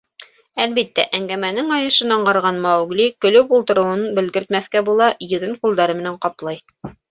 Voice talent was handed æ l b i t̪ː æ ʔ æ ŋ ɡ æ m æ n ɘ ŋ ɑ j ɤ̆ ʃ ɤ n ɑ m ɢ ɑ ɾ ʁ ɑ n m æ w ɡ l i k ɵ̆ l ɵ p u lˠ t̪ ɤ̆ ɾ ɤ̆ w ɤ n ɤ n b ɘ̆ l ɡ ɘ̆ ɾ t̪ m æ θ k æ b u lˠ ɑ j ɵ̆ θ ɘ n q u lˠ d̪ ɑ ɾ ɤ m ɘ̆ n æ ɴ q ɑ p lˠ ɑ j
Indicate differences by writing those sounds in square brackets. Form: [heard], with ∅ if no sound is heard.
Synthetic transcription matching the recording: æ l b i t̪ː æ ʔ æ ŋ ɡ æ m æ n ɘ ŋ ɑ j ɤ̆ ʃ ɤ n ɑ [ɴ] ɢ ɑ ɾ ʁ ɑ n m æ w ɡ l i k ɵ̆ l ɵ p u lˠ t̪ ɤ̆ ɾ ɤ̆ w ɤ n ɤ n b ɘ̆ l ɡ ɘ̆ ɾ t̪ m æ θ k æ b u lˠ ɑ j ɵ̆ [ð] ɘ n q u lˠ d̪ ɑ ɾ ɤ m ɘ̆ n æ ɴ q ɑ p lˠ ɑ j